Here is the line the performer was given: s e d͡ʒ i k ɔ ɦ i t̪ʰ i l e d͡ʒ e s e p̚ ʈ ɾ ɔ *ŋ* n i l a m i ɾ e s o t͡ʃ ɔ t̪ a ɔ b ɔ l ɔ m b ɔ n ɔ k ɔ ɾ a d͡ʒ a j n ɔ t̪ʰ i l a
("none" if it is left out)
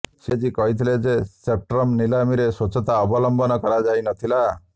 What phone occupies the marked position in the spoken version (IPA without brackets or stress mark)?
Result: m